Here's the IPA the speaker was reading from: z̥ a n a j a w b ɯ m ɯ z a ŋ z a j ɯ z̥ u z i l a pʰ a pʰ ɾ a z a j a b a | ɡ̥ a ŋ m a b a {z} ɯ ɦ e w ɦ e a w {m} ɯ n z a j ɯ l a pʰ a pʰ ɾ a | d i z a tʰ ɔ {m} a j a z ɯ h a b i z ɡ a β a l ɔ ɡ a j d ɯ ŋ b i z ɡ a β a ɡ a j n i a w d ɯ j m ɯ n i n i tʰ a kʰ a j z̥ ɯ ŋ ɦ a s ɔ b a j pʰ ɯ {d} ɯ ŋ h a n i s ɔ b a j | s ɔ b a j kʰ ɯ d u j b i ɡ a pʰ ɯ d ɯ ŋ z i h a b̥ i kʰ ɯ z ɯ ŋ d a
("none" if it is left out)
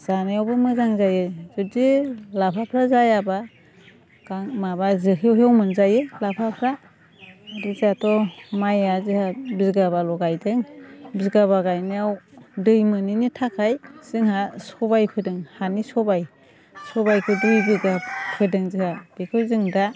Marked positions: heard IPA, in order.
z, m, m, d

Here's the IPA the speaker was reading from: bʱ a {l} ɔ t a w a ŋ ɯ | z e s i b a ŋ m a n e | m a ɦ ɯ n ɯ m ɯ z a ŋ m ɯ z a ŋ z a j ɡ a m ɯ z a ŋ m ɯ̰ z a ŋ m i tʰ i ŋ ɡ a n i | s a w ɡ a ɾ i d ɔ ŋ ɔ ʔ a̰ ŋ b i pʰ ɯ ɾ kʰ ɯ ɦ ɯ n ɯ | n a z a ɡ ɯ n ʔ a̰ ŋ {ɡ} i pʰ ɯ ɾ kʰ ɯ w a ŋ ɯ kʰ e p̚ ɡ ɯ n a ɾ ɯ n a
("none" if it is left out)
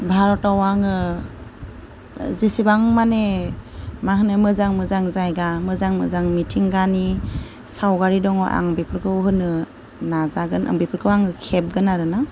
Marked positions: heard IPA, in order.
ɾ, b

